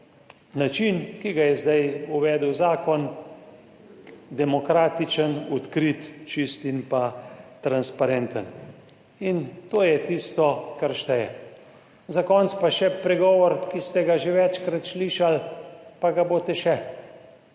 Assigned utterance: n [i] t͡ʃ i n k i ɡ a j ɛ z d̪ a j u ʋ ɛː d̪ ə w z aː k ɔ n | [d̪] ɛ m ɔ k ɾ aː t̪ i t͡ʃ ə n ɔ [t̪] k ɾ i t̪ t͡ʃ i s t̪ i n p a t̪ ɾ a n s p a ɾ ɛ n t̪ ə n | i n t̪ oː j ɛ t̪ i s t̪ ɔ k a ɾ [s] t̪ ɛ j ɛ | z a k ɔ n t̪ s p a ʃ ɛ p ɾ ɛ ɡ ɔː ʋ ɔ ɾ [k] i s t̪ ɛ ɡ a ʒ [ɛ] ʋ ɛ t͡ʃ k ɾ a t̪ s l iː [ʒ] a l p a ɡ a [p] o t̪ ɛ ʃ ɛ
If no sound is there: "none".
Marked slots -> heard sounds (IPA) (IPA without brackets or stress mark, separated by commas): a, d̪, t̪, ʃ, k, e, ʃ, b